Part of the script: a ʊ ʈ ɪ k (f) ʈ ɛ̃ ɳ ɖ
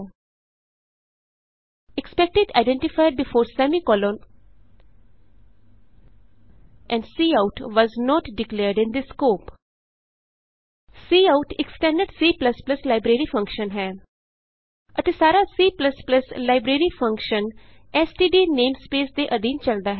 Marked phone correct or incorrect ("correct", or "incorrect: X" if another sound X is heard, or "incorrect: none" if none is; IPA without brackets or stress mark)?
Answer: incorrect: s